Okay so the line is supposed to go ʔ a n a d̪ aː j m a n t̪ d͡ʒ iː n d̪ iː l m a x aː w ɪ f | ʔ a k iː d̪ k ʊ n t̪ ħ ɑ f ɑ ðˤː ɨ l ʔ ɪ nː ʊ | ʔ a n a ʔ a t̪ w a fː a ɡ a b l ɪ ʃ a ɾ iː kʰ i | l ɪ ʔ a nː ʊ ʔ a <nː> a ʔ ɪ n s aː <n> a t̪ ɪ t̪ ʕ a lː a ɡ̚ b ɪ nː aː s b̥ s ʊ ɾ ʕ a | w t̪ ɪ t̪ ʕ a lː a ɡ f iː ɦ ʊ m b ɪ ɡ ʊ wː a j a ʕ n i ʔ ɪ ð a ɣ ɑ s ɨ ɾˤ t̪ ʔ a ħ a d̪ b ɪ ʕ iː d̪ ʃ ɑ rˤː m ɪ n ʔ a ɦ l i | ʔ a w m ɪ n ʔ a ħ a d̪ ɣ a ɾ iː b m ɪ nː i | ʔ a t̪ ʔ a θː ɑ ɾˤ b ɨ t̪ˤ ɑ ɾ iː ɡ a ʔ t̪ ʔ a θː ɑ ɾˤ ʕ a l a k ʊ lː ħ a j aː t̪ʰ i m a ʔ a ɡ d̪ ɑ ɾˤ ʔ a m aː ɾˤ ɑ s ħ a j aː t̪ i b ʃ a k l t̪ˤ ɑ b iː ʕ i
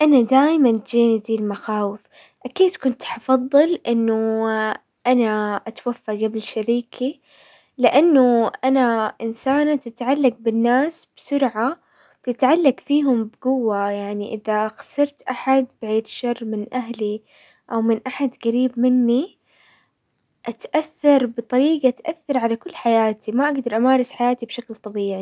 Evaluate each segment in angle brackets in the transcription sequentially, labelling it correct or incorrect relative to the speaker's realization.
incorrect: n, correct

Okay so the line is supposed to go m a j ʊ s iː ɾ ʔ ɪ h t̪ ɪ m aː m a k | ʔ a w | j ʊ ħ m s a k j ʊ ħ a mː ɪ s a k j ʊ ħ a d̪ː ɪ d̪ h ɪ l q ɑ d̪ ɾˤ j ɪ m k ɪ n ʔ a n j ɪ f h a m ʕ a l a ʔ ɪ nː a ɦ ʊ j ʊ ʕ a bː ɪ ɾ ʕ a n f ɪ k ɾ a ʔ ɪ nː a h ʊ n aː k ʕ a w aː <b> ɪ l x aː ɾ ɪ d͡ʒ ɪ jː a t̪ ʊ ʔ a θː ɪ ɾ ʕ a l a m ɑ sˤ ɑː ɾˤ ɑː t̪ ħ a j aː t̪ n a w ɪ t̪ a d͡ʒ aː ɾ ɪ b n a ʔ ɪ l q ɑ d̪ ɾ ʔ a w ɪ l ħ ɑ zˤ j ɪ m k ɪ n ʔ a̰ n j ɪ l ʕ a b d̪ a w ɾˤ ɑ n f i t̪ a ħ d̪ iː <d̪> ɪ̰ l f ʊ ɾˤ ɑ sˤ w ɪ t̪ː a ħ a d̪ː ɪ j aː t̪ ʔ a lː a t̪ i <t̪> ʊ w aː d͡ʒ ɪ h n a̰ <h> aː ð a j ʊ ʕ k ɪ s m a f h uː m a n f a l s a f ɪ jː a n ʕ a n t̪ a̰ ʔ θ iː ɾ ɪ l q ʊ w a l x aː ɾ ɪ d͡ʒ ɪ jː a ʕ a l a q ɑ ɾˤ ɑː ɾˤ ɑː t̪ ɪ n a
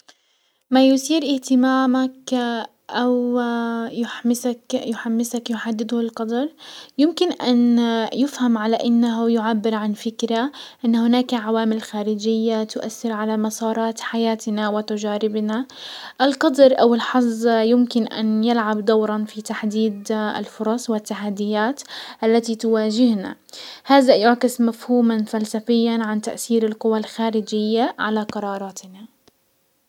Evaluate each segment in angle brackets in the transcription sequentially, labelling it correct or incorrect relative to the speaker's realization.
incorrect: m, correct, correct, correct

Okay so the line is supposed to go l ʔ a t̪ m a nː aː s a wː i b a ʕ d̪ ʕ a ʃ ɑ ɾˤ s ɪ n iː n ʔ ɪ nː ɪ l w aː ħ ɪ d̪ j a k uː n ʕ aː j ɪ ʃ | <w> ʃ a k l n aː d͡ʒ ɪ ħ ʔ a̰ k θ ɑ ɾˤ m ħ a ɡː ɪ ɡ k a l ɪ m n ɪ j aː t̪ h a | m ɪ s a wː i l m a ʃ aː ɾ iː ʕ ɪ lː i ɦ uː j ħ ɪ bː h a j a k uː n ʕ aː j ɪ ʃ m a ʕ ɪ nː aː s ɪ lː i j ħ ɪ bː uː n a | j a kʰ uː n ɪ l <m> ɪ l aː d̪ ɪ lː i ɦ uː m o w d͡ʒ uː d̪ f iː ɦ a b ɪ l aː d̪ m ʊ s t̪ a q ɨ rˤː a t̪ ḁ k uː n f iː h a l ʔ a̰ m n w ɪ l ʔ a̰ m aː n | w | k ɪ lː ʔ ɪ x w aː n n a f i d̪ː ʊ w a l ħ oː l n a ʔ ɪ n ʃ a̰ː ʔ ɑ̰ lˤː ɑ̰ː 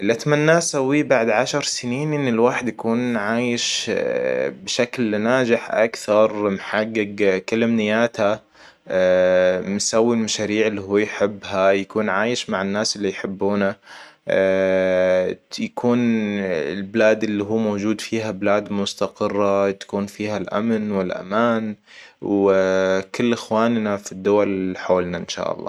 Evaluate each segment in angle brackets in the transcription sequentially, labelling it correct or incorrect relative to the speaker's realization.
incorrect: b, incorrect: b

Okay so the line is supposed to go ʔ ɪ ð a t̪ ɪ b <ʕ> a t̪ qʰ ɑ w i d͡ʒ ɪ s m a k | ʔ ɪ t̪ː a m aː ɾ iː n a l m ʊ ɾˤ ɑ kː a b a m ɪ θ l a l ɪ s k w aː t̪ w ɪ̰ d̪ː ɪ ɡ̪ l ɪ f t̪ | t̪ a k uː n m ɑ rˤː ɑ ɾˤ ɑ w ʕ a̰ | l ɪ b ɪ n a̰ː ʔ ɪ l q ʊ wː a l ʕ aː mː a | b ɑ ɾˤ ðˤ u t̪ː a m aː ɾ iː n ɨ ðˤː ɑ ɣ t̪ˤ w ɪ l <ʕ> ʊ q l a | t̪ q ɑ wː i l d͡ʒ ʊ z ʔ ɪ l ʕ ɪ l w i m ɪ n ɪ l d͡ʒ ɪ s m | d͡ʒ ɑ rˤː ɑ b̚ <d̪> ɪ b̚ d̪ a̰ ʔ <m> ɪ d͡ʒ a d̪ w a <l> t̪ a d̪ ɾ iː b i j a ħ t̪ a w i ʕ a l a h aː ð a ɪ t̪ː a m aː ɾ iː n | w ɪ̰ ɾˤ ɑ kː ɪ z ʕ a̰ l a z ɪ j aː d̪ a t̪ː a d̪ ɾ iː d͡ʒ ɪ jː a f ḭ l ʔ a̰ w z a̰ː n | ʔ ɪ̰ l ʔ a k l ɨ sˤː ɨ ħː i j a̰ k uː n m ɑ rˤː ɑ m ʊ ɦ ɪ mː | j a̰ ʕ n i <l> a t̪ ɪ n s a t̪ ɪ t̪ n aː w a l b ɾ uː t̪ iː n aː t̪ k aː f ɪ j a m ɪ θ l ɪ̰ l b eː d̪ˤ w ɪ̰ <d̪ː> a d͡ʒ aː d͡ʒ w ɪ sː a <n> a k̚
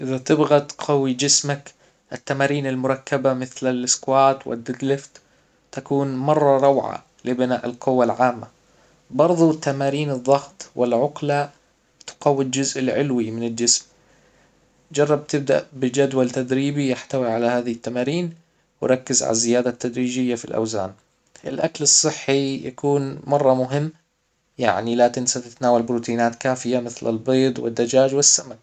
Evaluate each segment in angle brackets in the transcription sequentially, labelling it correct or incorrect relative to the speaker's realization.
incorrect: ɣ, correct, incorrect: t̪, incorrect: b, correct, correct, correct, incorrect: m

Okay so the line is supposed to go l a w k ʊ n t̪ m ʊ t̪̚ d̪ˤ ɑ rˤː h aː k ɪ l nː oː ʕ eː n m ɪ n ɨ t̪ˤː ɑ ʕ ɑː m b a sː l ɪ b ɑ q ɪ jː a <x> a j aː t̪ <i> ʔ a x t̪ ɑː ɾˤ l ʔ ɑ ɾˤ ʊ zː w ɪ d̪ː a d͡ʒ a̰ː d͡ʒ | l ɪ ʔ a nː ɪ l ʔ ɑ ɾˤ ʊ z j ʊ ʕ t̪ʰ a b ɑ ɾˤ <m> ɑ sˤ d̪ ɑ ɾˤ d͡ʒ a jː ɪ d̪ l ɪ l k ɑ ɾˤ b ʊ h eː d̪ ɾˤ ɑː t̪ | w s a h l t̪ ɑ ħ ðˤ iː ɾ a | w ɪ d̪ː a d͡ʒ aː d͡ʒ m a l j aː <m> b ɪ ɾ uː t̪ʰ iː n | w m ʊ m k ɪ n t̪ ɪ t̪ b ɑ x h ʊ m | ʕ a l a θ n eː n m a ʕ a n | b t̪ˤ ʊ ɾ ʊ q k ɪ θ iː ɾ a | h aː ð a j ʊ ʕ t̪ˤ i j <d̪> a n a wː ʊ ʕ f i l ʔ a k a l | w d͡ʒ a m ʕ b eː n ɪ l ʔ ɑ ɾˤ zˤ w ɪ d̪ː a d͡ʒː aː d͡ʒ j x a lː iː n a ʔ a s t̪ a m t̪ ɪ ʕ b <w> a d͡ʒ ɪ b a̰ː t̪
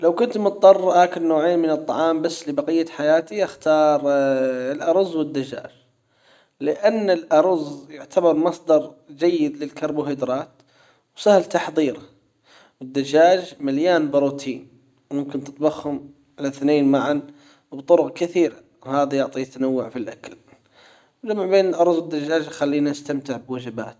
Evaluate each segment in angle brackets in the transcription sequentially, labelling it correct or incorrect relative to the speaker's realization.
incorrect: ħ, correct, correct, incorrect: n, incorrect: t̪, correct

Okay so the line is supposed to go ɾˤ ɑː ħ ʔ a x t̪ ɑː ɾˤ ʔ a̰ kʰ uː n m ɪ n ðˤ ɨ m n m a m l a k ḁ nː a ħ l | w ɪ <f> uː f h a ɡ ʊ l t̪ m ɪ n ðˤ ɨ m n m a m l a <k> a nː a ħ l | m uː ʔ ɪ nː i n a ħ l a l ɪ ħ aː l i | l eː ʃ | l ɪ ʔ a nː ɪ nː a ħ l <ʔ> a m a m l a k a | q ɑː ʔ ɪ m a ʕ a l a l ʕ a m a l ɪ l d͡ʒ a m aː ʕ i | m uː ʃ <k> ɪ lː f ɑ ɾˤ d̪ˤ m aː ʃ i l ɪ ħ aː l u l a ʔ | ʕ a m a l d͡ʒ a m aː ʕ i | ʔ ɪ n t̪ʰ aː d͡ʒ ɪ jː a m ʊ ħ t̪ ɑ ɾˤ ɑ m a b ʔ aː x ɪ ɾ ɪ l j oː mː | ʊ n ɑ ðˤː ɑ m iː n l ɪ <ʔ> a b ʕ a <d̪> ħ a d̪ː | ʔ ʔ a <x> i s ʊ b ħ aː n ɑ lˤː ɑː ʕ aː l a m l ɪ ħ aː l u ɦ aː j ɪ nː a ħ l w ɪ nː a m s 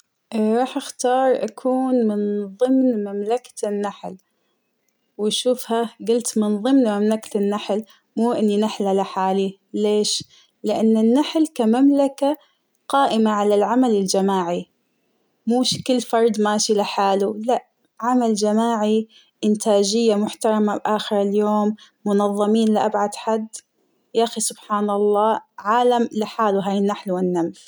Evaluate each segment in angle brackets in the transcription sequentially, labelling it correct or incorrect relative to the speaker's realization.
incorrect: ʃ, correct, incorrect: k, correct, correct, correct, correct

